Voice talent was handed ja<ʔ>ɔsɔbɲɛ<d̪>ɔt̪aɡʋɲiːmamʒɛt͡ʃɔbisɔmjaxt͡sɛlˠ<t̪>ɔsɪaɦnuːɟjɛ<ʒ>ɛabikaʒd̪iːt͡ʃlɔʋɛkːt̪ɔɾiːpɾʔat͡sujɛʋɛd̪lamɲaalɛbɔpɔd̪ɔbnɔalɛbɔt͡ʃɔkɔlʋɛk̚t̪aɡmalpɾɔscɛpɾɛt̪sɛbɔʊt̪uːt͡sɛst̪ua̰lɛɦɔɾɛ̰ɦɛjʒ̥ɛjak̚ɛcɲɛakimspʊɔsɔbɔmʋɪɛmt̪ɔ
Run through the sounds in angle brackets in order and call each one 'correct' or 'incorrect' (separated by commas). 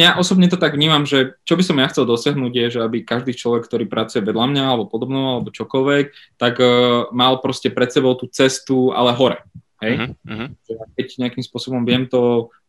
correct, incorrect, incorrect, correct